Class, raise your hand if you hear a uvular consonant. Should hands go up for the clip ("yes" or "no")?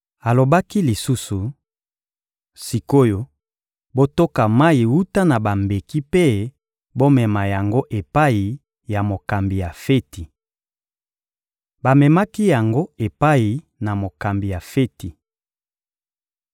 no